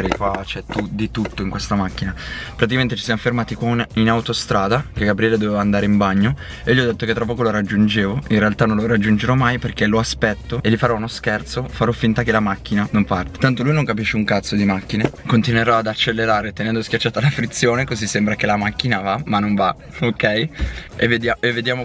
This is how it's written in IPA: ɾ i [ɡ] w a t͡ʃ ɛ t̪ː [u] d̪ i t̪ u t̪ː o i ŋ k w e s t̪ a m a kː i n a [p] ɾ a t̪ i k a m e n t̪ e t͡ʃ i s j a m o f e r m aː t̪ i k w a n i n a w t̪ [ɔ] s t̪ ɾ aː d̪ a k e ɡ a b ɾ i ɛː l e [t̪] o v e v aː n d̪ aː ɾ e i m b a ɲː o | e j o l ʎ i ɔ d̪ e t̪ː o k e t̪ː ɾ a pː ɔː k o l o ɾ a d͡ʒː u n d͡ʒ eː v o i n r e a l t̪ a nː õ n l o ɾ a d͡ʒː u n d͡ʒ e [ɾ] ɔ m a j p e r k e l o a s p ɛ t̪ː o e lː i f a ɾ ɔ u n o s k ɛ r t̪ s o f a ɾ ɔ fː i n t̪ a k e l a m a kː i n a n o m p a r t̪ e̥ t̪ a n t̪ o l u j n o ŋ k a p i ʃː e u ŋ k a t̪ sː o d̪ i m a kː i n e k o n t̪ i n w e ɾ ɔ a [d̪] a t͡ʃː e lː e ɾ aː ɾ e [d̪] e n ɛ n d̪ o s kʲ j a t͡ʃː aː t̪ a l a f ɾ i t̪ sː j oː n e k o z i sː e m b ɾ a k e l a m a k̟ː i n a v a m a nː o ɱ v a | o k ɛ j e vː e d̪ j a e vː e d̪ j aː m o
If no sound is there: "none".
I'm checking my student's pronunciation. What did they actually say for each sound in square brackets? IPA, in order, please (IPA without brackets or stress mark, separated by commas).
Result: k, u, p, o, d̪, ɾ, d̪, t̪